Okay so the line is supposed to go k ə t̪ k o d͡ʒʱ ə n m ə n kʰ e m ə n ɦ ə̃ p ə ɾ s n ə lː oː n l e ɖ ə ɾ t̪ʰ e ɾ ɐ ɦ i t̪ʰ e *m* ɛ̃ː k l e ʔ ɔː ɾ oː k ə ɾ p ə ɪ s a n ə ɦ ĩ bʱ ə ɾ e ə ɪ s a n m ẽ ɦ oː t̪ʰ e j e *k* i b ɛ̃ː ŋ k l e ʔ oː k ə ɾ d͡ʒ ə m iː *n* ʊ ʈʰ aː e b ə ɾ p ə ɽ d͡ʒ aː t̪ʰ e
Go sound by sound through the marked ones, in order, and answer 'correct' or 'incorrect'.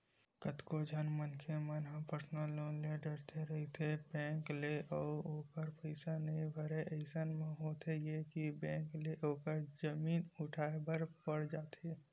incorrect: b, correct, correct

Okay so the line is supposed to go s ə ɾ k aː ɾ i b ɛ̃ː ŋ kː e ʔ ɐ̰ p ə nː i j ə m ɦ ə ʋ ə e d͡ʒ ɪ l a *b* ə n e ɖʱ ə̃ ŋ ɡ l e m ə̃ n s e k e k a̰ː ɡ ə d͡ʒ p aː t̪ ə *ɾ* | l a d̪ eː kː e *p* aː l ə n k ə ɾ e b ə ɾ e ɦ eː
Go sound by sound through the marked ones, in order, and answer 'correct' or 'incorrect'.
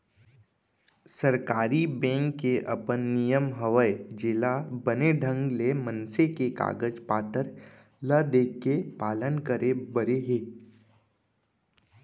correct, correct, correct

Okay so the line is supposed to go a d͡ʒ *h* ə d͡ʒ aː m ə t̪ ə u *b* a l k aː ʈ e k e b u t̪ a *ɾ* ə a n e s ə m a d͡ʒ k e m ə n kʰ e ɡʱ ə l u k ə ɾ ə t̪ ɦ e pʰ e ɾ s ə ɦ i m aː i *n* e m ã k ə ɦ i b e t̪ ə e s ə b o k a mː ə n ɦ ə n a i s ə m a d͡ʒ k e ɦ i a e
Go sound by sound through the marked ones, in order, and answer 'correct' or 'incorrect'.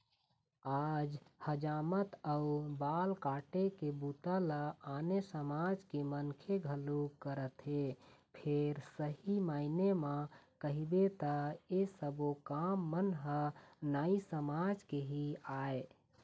correct, correct, incorrect: l, correct

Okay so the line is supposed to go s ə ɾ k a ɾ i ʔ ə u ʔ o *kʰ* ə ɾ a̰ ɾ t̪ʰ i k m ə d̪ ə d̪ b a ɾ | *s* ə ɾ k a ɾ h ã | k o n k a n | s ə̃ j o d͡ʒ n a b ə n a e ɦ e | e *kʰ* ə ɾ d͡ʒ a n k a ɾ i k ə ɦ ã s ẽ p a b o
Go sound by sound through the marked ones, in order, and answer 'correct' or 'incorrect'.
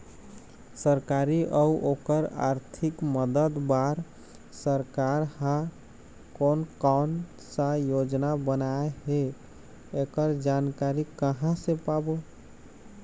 incorrect: k, correct, incorrect: k

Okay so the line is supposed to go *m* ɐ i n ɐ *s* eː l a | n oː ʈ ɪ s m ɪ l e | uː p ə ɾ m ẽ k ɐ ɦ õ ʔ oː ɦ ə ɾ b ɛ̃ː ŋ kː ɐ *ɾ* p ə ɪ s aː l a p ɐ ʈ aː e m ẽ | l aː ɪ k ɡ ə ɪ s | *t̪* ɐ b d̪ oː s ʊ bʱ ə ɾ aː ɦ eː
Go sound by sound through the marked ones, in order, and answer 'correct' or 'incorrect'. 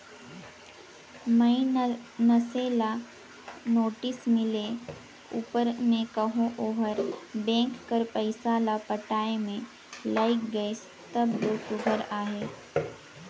correct, correct, correct, correct

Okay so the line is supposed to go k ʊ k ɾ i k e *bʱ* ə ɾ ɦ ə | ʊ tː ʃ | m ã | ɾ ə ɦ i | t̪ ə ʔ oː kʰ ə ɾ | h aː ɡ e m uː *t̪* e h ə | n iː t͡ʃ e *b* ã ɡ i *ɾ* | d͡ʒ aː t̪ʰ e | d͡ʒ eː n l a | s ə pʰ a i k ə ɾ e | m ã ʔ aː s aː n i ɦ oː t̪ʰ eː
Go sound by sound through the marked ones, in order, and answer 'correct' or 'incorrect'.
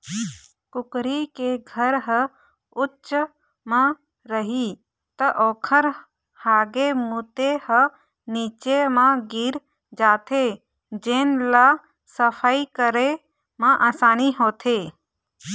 incorrect: ɡʱ, correct, incorrect: m, correct

